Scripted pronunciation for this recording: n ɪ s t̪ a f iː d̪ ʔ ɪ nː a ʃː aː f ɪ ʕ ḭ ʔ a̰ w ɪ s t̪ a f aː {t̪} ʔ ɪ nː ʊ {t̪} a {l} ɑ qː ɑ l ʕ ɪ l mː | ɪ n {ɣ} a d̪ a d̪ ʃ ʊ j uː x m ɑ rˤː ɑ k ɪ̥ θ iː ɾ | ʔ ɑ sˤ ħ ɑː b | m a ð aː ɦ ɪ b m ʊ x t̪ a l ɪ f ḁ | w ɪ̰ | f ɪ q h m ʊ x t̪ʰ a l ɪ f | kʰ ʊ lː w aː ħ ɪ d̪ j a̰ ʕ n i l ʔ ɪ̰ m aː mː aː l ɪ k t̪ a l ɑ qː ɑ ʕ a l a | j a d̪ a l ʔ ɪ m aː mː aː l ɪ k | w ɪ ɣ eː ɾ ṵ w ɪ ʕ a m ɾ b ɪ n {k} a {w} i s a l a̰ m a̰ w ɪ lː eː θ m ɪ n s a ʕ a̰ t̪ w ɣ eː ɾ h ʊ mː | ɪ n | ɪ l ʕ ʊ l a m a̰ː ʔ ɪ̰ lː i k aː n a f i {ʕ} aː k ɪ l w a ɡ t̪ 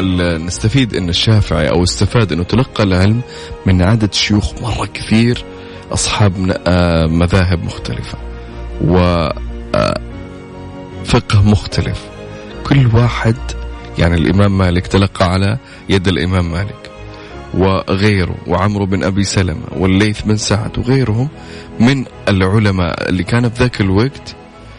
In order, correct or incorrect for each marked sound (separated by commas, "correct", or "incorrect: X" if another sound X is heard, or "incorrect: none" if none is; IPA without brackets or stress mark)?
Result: incorrect: d̪, correct, correct, incorrect: ʕ, incorrect: ʔ, incorrect: b, incorrect: ð